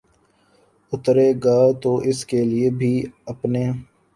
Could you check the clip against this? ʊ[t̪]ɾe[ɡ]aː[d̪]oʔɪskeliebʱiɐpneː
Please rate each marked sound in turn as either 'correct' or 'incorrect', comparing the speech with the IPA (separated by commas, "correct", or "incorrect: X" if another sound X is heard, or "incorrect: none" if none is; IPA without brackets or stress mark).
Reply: correct, correct, incorrect: t̪